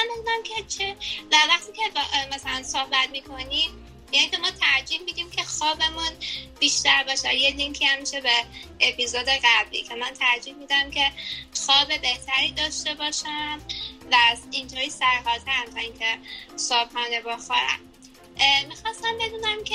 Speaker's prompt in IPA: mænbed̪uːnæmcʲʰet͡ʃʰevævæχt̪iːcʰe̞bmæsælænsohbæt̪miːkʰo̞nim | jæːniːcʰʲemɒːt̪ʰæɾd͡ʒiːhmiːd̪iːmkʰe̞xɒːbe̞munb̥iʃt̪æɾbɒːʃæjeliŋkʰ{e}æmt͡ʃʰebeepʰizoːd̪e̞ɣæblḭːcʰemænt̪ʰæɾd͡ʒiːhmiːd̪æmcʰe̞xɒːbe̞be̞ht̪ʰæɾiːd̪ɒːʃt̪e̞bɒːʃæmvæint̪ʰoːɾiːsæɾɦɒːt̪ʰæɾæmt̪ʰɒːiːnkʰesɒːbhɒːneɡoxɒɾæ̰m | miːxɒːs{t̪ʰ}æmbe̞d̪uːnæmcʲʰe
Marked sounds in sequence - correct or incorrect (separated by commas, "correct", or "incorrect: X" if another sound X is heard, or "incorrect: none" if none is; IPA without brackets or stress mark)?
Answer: incorrect: i, incorrect: t̪